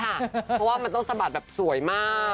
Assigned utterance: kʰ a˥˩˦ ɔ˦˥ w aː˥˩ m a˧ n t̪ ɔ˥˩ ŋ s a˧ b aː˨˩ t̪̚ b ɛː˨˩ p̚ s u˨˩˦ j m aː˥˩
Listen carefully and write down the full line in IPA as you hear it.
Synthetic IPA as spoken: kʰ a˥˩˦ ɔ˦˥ w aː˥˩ m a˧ n t̪ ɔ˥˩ ŋ s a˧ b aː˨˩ t̪̚ b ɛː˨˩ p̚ s u˨˩˦ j m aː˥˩